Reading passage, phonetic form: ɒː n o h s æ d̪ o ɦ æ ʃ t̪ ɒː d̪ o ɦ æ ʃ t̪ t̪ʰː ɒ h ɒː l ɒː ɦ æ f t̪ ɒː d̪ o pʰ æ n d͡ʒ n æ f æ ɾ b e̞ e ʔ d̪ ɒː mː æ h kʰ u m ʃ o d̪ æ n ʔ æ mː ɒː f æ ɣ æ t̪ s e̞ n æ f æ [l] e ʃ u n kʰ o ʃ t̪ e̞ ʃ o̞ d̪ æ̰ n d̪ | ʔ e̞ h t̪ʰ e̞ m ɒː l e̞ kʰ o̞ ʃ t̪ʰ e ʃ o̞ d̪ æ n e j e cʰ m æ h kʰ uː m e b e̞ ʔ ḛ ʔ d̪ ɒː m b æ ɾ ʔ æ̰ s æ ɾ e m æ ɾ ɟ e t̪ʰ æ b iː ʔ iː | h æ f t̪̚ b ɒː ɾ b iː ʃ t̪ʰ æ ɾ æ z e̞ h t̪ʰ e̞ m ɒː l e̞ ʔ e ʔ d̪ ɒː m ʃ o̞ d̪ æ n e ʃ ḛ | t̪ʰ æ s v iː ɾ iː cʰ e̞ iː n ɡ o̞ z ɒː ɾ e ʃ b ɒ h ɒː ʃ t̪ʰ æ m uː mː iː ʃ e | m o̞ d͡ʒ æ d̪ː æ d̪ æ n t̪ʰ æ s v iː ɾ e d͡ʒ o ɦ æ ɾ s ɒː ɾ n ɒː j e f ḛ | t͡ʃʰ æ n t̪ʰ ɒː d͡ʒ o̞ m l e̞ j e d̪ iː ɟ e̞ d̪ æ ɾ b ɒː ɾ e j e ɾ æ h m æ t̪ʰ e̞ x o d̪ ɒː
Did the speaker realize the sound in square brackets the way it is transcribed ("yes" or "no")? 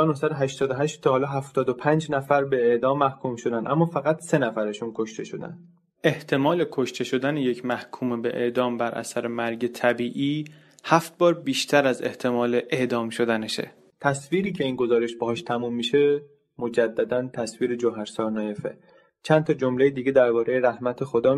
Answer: no